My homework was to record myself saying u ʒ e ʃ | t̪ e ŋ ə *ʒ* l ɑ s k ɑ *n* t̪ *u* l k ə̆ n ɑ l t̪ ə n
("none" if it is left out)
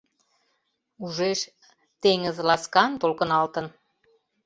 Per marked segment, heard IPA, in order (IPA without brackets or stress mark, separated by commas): z, n, o